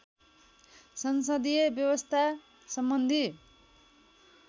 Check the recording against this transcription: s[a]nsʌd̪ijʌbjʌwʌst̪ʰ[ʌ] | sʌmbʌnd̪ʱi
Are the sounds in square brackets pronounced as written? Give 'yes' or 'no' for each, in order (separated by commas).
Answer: no, no